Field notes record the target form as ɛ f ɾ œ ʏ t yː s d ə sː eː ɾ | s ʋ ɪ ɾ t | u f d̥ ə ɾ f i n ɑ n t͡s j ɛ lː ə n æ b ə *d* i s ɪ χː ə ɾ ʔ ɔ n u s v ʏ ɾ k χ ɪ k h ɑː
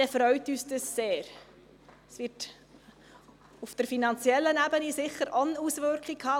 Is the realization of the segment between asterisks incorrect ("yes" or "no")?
yes